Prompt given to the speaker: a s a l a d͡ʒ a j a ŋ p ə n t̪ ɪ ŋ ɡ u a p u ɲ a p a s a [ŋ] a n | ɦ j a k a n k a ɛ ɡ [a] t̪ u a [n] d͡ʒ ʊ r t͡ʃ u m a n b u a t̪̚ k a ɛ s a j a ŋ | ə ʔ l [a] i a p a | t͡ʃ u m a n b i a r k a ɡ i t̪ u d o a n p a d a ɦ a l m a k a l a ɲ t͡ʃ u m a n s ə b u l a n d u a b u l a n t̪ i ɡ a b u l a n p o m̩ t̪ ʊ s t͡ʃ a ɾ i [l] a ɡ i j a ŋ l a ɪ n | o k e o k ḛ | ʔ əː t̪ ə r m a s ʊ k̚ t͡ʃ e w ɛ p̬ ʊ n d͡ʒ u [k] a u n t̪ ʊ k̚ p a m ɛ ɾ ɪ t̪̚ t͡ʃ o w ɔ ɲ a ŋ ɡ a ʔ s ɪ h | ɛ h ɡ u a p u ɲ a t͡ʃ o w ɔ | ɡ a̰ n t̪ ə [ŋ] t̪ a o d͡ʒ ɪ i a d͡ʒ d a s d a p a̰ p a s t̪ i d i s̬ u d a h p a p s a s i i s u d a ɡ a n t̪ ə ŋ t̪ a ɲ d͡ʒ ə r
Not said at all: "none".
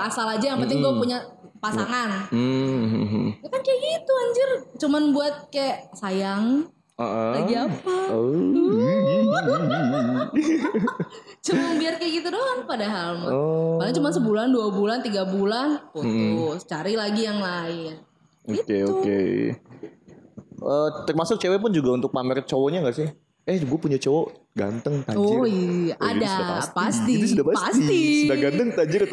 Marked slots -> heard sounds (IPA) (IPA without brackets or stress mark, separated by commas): ŋ, i, ɲ, a, l, ɡ, ŋ